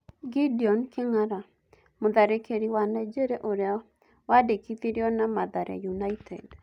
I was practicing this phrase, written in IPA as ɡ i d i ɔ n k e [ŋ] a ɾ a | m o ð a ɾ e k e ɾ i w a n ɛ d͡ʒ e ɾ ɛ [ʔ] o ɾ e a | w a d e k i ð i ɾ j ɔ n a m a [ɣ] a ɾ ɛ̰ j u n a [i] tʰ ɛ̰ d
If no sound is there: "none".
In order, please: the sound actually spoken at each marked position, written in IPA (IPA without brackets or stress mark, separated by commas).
ŋ, ʔ, ð, i